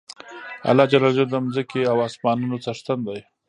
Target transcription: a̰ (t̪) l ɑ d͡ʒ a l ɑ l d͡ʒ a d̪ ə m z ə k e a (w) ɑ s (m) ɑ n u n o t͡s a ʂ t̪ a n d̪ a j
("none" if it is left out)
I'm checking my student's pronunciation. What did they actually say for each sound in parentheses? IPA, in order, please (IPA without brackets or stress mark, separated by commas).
none, w, m